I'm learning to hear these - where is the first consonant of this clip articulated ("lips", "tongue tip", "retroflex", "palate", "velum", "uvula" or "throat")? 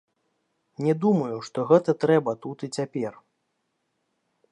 tongue tip